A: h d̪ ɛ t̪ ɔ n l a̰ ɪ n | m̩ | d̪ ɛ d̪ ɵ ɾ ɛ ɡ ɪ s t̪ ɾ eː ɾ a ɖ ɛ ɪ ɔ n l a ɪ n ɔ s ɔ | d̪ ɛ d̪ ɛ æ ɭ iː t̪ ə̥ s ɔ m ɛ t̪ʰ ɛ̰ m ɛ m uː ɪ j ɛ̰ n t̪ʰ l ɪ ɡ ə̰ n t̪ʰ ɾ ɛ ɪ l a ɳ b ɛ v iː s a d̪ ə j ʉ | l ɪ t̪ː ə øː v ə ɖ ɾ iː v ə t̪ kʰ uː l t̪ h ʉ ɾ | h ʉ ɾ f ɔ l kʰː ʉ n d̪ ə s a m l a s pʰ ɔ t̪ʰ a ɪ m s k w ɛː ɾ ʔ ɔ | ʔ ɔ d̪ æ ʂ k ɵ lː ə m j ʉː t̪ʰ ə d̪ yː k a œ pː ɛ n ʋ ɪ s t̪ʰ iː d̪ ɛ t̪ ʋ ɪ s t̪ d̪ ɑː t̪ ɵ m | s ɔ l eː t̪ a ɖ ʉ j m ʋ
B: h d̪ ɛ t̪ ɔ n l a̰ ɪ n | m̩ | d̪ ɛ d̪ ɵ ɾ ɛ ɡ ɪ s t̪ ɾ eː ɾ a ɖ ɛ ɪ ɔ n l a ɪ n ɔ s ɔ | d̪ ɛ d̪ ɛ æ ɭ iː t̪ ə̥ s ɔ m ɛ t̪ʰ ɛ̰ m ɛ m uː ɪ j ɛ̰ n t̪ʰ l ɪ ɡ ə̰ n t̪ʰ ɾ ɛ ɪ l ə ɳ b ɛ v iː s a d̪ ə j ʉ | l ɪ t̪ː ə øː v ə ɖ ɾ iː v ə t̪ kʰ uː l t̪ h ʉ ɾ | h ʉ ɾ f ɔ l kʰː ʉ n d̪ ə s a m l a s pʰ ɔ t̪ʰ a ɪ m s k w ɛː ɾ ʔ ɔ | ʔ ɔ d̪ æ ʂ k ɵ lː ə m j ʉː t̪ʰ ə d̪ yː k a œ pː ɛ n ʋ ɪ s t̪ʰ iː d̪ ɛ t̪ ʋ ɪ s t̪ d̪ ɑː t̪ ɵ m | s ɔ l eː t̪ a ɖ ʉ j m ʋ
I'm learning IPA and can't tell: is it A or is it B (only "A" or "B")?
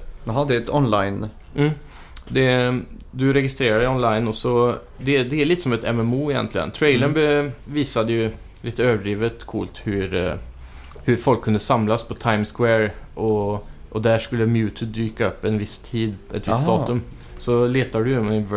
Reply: B